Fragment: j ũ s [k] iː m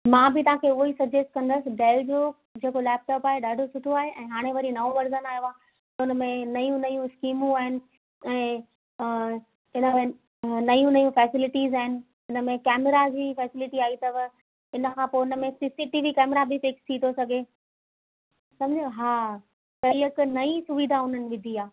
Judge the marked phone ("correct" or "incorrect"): correct